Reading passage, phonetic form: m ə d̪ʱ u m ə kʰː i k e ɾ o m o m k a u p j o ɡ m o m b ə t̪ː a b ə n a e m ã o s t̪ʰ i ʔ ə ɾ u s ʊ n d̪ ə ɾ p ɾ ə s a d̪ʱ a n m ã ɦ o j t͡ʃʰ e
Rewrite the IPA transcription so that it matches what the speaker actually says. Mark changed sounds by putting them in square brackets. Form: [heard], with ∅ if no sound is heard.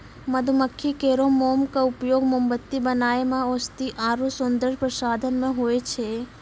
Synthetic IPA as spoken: m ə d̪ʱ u m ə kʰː i k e ɾ o m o m k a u p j o ɡ m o m b ə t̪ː [i] b ə n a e m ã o s [t̪] i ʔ [a] ɾ u s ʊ n d̪ ə ɾ p ɾ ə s a d̪ʱ [ə] n m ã ɦ o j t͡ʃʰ e